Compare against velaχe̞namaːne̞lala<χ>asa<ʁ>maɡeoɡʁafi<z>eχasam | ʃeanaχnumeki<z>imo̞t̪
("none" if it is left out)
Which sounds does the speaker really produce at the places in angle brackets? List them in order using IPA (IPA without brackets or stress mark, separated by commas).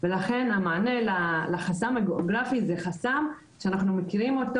χ, none, z, ʁ